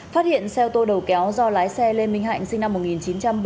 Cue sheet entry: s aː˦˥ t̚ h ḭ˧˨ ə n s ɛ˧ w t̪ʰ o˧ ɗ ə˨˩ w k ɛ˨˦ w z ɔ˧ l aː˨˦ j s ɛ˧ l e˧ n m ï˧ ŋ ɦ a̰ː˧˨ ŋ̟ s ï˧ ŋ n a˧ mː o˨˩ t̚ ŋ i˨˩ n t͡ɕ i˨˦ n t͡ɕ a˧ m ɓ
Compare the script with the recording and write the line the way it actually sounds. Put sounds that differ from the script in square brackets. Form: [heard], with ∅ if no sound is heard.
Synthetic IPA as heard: [f] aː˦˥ t̚ h ḭ˧˨ ə n s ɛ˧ w [t̪] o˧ ɗ ə˨˩ w k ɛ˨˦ w z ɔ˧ l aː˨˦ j s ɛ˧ l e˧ n m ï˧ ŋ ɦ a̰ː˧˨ ŋ̟ s ï˧ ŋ n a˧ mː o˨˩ t̚ ŋ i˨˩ n t͡ɕ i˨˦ n t͡ɕ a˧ m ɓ